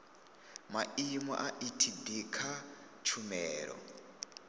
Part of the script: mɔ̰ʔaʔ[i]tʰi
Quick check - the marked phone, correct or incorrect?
correct